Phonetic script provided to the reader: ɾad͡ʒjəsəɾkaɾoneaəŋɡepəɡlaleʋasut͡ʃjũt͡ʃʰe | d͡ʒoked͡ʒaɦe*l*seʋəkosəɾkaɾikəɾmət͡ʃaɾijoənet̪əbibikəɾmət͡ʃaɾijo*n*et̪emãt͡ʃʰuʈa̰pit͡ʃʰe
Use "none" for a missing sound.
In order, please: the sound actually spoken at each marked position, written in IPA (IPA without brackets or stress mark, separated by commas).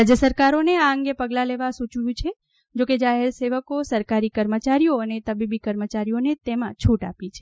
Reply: ɾ, n